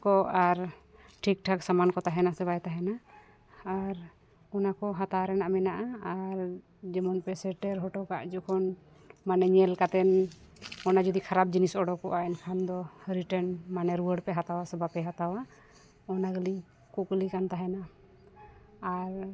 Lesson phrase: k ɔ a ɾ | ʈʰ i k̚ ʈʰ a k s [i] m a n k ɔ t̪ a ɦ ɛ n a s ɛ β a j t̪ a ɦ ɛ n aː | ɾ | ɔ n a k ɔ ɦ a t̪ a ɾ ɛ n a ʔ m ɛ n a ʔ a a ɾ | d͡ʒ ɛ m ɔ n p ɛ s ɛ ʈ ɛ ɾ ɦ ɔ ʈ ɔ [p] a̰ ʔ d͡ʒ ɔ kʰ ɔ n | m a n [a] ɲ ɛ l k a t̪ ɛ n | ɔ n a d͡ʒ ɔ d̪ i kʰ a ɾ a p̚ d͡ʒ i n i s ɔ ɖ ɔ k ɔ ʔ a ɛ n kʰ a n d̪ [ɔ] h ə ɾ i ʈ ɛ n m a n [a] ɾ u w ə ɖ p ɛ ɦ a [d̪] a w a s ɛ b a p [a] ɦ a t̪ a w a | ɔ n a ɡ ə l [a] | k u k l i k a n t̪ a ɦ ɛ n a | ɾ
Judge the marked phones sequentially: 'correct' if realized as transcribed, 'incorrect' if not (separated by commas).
incorrect, incorrect, incorrect, correct, incorrect, incorrect, incorrect, incorrect